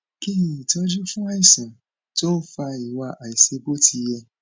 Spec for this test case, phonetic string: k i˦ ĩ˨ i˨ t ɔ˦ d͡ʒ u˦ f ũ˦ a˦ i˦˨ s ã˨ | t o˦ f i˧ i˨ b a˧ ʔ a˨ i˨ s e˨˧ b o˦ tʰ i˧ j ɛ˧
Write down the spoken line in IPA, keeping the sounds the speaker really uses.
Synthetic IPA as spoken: k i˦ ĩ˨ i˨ t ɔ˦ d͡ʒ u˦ f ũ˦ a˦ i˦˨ s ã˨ | t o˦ f a˧ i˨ w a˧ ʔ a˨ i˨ s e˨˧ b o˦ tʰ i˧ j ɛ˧